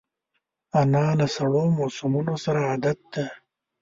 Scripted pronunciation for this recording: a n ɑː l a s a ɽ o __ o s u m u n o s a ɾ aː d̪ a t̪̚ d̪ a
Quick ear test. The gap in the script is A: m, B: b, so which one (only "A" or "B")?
A